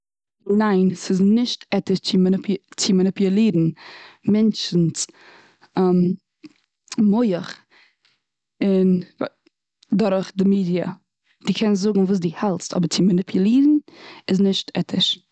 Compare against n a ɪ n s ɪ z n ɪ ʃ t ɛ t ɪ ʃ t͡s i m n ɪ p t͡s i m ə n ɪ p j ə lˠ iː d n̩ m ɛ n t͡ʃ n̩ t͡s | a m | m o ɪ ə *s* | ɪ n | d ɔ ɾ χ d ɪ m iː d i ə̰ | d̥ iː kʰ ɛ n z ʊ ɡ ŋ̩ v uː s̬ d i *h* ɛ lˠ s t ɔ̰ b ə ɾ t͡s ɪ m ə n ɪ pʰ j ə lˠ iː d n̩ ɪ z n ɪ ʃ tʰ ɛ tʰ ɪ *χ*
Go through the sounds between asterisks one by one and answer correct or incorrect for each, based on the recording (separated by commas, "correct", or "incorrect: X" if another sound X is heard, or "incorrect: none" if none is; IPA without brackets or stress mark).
incorrect: χ, correct, incorrect: ʃ